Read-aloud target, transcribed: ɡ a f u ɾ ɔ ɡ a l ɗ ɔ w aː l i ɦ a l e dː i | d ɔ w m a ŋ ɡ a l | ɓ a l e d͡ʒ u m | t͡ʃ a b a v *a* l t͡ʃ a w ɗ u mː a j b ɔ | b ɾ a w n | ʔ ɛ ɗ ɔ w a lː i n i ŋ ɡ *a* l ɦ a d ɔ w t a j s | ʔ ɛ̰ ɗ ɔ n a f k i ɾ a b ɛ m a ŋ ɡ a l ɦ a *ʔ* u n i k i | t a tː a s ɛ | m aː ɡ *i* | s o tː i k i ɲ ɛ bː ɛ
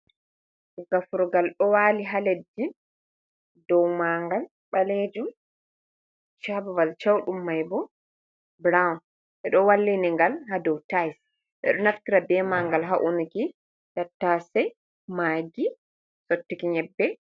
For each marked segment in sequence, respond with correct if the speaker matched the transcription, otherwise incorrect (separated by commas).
correct, correct, correct, correct